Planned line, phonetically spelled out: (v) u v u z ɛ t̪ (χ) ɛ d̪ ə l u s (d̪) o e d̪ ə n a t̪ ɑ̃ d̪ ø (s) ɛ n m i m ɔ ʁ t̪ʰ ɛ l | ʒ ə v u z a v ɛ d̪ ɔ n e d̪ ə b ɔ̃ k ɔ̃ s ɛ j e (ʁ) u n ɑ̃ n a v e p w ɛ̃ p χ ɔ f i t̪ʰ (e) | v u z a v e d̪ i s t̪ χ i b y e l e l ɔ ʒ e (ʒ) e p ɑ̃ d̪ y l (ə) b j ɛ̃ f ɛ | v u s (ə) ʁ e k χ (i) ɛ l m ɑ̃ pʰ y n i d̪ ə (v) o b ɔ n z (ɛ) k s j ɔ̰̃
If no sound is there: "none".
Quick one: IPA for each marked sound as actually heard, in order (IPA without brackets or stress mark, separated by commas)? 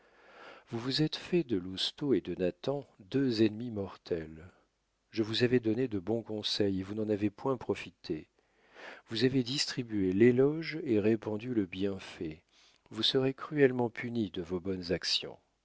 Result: v, f, t̪, z, v, e, ʁ, ə, ə, y, v, a